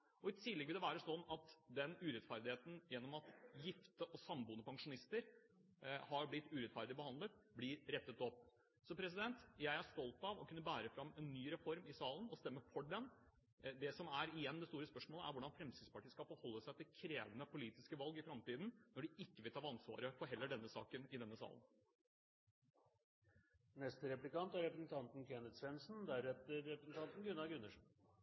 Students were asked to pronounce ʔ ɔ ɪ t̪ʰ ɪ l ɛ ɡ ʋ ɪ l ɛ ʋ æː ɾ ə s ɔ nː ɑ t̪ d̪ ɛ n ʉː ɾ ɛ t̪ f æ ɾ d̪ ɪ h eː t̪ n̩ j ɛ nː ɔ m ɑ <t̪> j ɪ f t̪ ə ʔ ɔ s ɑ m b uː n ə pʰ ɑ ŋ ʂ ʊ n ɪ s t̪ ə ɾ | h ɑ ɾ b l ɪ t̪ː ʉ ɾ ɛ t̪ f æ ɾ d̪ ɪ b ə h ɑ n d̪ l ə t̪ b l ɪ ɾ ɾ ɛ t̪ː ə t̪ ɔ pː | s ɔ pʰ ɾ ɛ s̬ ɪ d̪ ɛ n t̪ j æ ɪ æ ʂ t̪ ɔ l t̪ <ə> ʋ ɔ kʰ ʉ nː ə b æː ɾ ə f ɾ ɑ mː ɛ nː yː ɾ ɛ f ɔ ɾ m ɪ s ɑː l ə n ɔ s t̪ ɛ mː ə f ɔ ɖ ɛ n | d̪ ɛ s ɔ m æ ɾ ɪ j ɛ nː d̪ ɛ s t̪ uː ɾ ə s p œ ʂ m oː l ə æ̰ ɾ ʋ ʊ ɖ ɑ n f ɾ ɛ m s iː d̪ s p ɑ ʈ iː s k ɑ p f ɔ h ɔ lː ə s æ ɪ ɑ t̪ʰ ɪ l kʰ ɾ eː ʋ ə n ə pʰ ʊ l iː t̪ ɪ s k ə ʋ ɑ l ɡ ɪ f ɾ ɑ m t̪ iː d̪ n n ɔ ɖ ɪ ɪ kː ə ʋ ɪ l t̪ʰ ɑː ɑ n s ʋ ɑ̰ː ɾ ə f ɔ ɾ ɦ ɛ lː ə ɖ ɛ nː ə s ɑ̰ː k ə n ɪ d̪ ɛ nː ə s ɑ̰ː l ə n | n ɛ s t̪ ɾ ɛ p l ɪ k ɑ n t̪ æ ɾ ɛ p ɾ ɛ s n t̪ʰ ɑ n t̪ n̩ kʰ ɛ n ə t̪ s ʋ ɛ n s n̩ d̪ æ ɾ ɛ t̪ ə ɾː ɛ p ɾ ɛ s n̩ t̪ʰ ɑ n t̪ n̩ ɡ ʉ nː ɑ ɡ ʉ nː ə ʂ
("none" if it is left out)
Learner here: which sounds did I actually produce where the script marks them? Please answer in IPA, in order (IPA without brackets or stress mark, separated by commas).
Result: t̪, ɑ